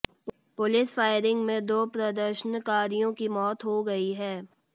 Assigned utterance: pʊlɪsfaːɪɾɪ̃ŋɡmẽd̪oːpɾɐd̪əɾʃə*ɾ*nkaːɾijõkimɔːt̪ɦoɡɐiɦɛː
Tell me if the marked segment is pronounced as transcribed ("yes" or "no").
no